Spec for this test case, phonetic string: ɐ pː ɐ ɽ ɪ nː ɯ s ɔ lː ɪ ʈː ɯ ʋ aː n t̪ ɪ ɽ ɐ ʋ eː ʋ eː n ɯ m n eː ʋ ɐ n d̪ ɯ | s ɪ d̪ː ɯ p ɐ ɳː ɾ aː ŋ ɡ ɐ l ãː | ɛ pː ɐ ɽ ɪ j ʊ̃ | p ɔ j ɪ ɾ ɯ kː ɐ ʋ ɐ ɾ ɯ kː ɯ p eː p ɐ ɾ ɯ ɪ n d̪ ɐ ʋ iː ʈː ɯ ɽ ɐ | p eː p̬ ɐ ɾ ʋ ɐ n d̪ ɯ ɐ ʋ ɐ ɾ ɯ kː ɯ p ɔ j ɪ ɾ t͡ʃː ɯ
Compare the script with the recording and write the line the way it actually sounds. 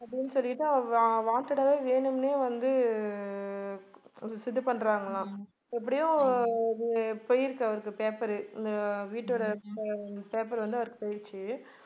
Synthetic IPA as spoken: ɐ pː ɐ ɽ ɪ nː ɯ s ɔ lː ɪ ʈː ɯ ʋ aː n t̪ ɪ ɽ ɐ ʋ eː ʋ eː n ɯ m n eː ʋ ɐ n d̪ ɯ | s ɪ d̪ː ɯ p ɐ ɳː ɾ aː ŋ ɡ ɐ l ãː | ɛ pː ɐ ɽ ɪ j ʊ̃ | p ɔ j ɪ ɾ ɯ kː ɐ ʋ ɐ ɾ ɯ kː ɯ p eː p ɐ ɾ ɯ ɪ n d̪ ɐ ʋ iː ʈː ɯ ɽ ɐ | p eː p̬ ɐ ɾ ʋ ɐ n d̪ ɯ ɐ ʋ ɐ ɾ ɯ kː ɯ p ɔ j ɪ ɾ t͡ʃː ɯ